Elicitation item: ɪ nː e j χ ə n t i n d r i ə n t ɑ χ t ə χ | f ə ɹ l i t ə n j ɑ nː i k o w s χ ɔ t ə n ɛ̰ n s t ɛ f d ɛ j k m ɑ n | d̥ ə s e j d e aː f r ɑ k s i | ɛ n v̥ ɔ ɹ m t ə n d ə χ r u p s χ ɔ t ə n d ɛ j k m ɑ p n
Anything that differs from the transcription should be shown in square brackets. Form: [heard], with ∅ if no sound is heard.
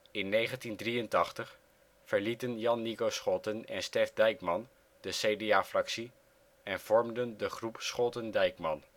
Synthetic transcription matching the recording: ɪ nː e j χ ə n t i n d r i ə n t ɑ χ t ə χ | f ə ɹ l i t ə n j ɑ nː i k o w s χ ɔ t ə n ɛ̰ n s t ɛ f d ɛ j k m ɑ n | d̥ ə s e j d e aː f r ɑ k s i | ɛ n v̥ ɔ ɹ m [d] ə n d ə χ r u p s χ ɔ t ə n d ɛ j k m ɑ [∅] n